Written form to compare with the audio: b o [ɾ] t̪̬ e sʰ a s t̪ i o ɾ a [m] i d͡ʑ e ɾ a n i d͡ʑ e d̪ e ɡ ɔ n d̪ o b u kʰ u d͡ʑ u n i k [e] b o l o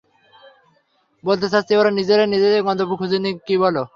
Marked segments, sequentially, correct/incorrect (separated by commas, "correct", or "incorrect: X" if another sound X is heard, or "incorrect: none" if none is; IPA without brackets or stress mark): incorrect: l, incorrect: n, incorrect: i